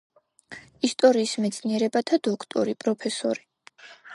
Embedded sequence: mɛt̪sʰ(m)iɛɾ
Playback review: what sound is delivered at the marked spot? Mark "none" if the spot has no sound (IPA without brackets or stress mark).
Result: n